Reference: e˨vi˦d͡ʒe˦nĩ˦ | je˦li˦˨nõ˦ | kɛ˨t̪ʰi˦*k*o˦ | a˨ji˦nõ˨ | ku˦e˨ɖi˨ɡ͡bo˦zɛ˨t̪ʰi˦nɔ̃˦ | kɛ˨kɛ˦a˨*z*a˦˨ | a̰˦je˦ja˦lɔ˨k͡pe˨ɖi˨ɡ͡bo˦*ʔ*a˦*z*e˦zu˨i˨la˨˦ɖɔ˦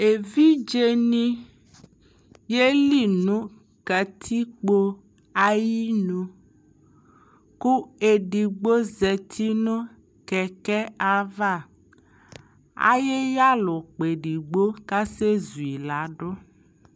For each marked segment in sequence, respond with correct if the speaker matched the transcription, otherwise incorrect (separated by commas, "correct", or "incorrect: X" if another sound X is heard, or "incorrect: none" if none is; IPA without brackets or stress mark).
incorrect: k͡p, incorrect: v, incorrect: k, incorrect: s